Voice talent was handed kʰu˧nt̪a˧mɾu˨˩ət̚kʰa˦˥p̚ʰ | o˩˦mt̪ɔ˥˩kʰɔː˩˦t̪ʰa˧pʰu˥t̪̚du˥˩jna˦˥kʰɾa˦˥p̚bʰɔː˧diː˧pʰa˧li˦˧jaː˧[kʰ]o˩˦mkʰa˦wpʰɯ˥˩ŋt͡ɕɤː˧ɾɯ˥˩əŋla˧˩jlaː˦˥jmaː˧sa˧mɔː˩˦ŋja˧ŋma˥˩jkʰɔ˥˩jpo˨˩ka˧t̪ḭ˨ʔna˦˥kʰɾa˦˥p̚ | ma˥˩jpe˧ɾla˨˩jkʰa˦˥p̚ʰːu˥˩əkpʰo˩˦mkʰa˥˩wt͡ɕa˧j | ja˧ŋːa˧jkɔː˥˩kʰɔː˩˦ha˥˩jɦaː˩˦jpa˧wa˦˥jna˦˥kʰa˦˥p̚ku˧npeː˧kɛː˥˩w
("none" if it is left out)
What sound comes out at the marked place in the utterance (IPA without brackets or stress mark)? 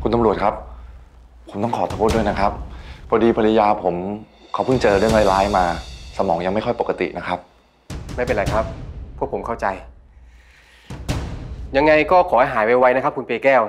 pʰ